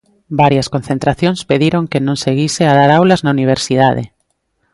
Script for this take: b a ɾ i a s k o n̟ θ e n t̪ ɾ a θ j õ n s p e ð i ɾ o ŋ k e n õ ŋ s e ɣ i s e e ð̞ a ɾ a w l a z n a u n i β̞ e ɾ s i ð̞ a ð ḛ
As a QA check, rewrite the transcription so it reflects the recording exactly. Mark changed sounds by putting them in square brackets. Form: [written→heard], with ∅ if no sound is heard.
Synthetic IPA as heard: b a ɾ [i→j] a s k o n̟ θ e n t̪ ɾ a θ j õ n s p e ð i ɾ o ŋ k e n õ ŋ s e ɣ i s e [e→a] ð̞ a ɾ a w l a z n a u n i β̞ e ɾ s i ð̞ a ð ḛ